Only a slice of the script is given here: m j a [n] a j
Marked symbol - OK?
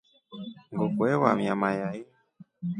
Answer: no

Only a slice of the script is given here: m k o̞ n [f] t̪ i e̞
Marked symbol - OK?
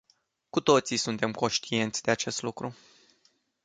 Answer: no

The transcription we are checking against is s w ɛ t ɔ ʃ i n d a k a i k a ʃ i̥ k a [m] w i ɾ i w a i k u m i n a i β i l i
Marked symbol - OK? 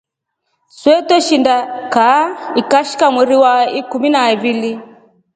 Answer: yes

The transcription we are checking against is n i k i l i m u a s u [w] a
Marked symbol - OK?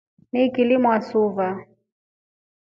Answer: no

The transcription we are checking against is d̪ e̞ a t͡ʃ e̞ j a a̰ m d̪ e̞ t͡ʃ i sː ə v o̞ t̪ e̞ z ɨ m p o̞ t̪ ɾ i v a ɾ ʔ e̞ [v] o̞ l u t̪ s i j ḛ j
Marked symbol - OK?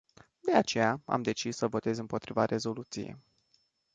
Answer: no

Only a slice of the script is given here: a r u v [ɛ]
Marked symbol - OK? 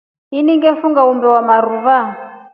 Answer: no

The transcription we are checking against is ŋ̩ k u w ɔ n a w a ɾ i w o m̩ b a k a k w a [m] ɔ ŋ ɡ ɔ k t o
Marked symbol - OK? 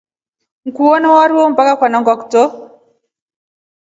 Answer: no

